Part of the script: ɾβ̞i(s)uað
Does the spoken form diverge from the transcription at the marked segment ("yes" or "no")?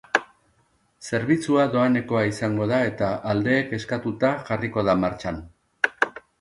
yes